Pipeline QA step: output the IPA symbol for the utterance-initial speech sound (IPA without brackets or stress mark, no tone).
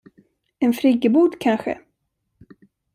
ɛ